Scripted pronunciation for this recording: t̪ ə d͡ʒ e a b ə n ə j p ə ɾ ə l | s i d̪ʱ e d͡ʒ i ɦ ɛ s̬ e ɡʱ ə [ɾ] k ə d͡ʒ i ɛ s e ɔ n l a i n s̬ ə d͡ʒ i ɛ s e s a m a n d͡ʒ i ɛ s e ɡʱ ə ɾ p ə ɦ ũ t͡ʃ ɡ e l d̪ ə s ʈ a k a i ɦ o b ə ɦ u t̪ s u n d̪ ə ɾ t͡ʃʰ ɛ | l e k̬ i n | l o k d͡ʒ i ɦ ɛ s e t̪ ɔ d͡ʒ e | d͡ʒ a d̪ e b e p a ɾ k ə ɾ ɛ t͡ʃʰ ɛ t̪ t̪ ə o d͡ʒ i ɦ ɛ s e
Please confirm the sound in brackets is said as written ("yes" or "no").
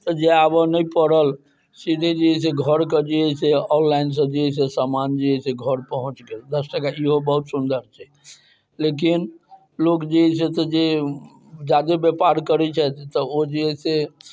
yes